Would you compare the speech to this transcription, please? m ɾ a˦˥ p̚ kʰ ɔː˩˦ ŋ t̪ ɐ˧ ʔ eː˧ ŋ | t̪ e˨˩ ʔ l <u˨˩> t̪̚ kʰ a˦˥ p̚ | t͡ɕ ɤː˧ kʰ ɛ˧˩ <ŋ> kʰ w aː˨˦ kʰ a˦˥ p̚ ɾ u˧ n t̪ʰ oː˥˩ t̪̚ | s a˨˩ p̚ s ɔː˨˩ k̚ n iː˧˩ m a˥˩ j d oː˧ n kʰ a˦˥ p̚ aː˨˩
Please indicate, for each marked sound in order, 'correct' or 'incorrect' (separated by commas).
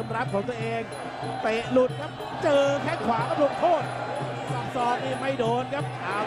correct, correct